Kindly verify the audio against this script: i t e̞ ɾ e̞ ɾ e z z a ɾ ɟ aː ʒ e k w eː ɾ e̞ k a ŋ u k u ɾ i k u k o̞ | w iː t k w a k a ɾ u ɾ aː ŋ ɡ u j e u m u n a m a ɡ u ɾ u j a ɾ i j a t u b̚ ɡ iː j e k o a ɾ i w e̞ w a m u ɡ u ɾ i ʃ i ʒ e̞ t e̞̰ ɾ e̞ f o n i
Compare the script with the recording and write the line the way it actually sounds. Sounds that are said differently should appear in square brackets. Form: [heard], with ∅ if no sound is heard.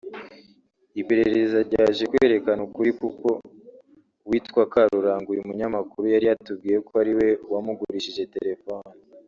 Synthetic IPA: i [p] e̞ ɾ e̞ ɾ e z z a ɾ ɟ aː ʒ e k w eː ɾ e̞ k a [n] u k u ɾ i k u k o̞ | w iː t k w a k a ɾ u ɾ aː ŋ ɡ u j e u m u [ɲ] a m a [k] u ɾ u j a ɾ i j a t u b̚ ɡ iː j e k o a ɾ i w e̞ w a m u ɡ u ɾ i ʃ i ʒ e̞ t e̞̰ ɾ e̞ f o n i